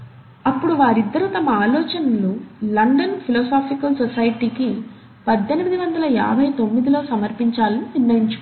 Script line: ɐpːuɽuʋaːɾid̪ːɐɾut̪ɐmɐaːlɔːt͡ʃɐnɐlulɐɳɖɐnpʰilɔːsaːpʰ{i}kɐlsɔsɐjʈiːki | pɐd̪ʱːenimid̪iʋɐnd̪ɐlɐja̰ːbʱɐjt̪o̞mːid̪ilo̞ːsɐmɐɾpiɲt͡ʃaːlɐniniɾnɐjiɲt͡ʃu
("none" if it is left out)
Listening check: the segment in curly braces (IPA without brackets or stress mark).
i